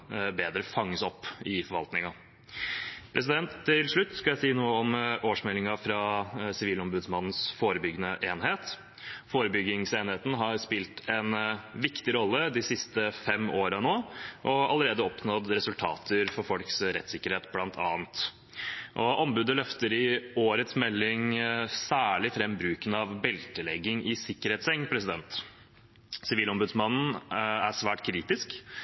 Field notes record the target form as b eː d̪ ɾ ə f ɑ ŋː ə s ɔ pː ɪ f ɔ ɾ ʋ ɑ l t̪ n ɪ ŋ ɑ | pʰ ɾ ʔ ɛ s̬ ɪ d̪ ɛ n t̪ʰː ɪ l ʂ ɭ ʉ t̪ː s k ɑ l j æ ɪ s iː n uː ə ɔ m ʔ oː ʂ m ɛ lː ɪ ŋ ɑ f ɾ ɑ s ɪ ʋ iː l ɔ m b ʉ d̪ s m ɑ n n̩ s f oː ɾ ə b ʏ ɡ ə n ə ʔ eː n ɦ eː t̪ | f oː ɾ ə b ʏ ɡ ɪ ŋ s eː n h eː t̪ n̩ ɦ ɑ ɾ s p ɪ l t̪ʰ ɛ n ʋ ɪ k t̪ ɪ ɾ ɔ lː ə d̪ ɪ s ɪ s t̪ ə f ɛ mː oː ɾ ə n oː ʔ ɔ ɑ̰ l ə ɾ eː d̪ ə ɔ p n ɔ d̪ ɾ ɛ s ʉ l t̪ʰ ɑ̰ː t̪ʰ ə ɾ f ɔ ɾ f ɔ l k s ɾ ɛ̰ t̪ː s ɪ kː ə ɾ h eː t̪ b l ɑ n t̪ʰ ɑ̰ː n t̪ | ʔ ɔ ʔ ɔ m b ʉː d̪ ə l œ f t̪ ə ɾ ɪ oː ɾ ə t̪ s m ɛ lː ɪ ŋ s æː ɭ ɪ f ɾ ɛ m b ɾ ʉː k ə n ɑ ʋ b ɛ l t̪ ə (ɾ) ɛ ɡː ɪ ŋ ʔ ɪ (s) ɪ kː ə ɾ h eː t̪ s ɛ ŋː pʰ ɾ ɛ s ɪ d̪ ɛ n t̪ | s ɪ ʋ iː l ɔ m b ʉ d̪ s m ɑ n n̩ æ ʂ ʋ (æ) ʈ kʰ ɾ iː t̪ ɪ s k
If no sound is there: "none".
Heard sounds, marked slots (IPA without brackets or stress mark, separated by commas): l, s, æː